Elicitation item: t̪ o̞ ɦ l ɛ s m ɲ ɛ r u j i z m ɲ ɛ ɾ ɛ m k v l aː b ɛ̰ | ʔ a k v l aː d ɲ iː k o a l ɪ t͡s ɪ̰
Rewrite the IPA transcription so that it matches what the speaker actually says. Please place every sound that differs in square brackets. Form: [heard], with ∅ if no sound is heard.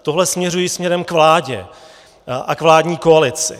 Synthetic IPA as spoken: t̪ o̞ ɦ l ɛ s m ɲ ɛ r u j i [s] m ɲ ɛ ɾ ɛ m k v l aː [ɟ] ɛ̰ | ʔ a k v l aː d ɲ iː k o a l ɪ t͡s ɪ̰